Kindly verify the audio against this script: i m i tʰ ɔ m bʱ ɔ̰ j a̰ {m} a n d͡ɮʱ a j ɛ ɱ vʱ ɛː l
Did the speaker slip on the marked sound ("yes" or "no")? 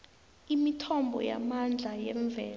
no